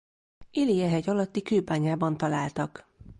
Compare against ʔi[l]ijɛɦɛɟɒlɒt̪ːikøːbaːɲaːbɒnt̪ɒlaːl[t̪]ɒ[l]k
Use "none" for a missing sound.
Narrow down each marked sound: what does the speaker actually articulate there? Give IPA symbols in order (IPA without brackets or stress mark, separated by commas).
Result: l, t̪, none